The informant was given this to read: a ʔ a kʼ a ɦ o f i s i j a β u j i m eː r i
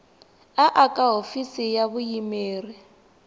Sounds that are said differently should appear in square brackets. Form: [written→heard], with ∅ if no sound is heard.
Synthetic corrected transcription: a ʔ a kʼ a ɦ o f i s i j a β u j i m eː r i